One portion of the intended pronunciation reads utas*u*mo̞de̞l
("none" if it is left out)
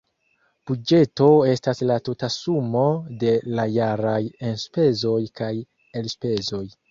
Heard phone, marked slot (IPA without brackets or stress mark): u